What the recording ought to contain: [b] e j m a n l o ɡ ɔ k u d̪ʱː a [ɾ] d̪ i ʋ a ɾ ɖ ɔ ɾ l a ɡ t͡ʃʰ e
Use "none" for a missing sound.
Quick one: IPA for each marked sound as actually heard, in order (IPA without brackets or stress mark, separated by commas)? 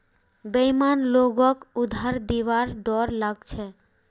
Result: b, ɾ